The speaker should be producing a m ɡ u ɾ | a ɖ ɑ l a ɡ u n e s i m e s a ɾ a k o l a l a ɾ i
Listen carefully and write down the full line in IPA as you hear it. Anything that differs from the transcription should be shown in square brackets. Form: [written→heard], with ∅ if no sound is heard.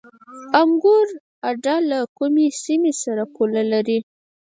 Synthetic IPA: a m ɡ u ɾ | a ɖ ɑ l a [ɡ→k] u [n→m] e s i m e s a ɾ a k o l a l a ɾ i